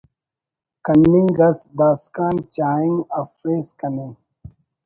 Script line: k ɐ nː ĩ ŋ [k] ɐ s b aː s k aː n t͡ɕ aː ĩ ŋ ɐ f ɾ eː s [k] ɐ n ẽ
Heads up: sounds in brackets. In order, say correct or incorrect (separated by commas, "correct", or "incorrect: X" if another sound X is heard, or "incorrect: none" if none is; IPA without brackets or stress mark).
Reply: incorrect: ɡ, correct